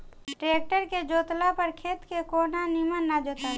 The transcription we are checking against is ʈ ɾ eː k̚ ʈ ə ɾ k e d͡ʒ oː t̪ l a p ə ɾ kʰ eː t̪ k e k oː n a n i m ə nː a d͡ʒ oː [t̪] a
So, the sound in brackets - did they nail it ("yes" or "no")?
yes